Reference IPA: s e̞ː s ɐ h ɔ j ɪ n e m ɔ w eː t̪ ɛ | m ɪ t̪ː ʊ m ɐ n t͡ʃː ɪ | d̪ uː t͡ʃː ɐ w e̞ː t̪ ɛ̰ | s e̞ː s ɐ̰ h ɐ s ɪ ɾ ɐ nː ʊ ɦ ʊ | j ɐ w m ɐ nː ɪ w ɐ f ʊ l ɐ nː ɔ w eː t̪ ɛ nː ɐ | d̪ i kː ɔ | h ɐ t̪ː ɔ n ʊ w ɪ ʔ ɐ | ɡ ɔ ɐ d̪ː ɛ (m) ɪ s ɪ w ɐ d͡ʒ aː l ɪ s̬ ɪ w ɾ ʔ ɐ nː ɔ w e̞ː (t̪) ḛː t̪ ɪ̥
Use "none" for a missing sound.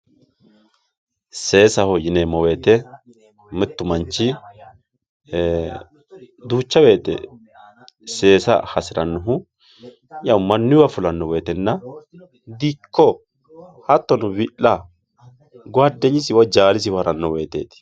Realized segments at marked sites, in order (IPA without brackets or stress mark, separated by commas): ɲ, t̪